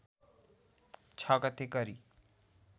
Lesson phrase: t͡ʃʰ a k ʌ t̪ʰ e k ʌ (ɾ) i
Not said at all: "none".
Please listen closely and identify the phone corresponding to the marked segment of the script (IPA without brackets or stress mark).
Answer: ɾ